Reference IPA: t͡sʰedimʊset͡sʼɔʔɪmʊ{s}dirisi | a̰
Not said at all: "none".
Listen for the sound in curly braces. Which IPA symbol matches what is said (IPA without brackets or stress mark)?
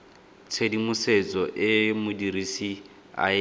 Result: none